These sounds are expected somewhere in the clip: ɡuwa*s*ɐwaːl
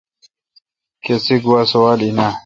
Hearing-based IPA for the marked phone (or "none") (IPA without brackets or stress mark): s